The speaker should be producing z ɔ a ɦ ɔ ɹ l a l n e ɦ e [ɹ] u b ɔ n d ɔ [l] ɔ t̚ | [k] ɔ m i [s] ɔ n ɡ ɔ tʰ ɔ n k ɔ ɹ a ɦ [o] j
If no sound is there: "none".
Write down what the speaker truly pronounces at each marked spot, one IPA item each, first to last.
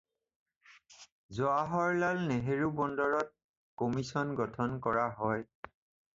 ɹ, ɹ, k, s, ɔ

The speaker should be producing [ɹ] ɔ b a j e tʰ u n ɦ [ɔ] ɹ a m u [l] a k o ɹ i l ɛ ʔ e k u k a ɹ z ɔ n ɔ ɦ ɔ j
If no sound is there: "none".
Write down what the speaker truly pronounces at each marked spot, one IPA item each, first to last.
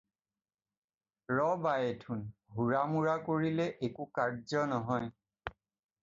ɹ, u, ɹ

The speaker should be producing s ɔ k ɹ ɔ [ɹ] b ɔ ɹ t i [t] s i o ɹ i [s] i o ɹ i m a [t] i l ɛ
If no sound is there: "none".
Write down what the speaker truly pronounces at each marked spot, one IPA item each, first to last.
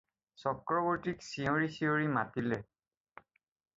none, k, s, t

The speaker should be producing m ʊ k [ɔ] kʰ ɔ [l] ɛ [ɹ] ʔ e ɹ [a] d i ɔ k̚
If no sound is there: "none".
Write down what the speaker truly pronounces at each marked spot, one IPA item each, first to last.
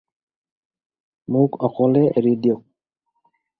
ɔ, l, none, i

